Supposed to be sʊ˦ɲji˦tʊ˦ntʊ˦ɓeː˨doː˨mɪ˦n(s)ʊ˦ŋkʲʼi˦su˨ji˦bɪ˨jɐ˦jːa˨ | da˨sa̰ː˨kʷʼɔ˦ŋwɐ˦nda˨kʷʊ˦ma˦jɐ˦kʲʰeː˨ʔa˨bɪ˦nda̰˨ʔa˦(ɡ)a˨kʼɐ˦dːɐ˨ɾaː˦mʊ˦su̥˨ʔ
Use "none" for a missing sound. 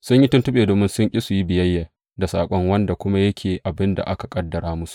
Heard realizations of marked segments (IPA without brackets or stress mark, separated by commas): s, k